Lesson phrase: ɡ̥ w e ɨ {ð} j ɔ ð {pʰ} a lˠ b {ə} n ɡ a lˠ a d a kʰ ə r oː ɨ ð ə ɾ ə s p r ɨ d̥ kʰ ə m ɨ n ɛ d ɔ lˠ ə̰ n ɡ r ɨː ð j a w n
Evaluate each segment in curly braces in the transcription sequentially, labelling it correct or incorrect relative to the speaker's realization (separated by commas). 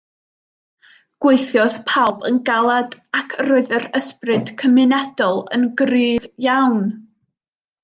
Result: incorrect, correct, correct